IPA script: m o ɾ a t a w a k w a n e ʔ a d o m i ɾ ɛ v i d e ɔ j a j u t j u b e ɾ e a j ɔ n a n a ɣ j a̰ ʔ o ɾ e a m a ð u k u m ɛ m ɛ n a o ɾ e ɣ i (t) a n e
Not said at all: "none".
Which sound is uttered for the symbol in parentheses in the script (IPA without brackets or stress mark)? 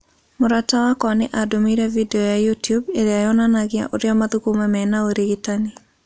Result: t